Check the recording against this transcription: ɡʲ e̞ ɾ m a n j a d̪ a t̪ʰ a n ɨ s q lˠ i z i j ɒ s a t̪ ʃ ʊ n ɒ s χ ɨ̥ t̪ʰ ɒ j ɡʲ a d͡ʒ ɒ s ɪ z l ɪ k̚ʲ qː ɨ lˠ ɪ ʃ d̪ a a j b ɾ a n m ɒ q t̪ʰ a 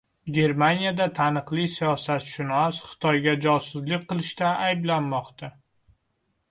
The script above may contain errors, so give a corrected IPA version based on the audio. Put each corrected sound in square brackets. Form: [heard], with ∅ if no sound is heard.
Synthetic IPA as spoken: ɡʲ e̞ ɾ m a n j a d̪ a t̪ʰ a n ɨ [∅] q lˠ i [s] i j ɒ s a t̪ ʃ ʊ n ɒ s χ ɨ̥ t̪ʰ ɒ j ɡʲ a d͡ʒ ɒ s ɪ z l ɪ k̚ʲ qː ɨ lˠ ɪ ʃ [t̪] a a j b [l] a n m ɒ q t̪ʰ a